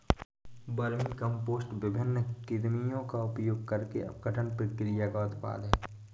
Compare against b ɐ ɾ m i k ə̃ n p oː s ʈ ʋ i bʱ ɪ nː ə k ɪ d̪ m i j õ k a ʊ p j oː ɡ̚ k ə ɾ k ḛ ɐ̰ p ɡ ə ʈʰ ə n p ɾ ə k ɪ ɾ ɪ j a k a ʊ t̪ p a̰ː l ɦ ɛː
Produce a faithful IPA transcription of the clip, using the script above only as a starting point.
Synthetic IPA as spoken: b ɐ ɾ m i k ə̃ m p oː s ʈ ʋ ɪ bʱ ɪ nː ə k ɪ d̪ m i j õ k a ʊ p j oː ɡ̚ k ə ɾ k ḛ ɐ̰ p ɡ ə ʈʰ ə n p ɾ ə k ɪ ɾ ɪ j a k a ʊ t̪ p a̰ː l ɦ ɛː